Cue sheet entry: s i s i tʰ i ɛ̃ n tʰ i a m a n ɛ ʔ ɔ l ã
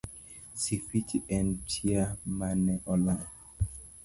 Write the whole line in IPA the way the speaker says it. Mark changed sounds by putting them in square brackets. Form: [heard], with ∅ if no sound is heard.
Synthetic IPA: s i [f] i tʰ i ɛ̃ n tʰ i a m a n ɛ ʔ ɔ l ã